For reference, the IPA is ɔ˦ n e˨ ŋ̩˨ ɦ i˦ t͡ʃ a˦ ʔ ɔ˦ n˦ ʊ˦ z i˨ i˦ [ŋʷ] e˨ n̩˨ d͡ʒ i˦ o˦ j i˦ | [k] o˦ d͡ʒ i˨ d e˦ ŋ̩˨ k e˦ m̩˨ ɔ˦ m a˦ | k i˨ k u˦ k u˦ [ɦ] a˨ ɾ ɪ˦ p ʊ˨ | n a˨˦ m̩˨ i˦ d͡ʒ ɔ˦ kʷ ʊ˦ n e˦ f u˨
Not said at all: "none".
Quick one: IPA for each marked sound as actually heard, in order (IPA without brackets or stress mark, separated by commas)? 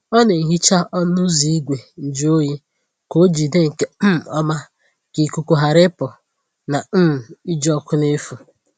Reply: ɡʷ, k, ɦ